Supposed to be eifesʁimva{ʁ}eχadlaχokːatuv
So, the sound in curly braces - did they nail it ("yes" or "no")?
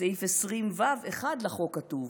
no